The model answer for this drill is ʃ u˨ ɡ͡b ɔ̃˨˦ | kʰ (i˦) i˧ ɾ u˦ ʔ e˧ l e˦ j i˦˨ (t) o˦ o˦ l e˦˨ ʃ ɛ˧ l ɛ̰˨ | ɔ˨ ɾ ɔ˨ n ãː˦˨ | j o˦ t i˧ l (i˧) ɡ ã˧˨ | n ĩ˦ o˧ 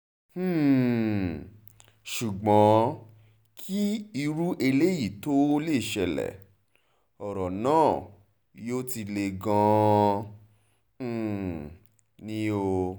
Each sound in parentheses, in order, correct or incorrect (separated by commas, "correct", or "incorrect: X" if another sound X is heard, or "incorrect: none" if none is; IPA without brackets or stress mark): correct, correct, incorrect: e˧